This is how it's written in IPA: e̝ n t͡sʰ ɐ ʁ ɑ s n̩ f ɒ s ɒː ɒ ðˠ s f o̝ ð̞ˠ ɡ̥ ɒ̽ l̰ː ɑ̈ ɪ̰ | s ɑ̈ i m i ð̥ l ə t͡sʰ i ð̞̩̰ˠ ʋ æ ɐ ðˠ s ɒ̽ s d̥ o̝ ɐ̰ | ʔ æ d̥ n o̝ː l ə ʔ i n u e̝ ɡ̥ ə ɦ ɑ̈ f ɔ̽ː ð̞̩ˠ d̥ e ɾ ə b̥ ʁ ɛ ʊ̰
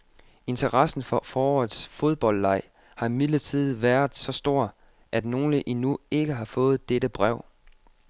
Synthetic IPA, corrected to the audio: e̝ n t͡sʰ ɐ ʁ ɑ s n̩ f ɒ f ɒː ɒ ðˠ s f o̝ ð̞ˠ b̥ ɒ̽ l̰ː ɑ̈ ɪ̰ | h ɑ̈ i m i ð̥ l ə t͡sʰ i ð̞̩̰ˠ ʋ æ ɐ ðˠ s ɒ̽ s d̥ o̝ ɐ̰ | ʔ æ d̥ n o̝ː l ə ʔ i n u e̝ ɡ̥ ə ɦ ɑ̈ f ɔ̽ː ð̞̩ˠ d̥ e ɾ ə b̥ ʁ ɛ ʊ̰